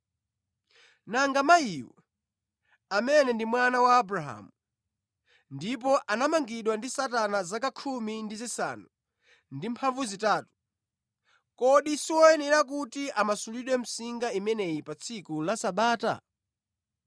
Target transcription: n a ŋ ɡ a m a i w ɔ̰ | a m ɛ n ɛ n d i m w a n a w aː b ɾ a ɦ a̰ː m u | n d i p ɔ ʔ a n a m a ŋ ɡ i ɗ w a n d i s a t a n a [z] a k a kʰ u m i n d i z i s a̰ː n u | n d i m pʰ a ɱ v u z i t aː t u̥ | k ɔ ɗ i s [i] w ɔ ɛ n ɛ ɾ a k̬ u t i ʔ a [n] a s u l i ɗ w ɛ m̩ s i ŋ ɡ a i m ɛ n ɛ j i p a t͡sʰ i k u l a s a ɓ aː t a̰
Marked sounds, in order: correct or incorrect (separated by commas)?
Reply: correct, correct, incorrect